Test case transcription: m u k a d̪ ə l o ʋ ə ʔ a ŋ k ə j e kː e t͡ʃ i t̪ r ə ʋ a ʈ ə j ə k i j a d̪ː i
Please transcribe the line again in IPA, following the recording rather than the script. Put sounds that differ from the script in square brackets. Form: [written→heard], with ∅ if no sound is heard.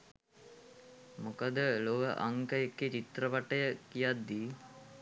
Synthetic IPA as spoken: m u k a d̪ ə l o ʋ ə ʔ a ŋ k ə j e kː e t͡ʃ i t̪ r ə ʋ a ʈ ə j ə k i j a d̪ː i